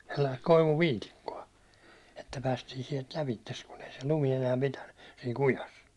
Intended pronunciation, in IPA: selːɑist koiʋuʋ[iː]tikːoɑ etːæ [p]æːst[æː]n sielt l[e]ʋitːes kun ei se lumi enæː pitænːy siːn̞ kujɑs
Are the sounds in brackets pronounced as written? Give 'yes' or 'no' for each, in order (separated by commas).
yes, yes, no, no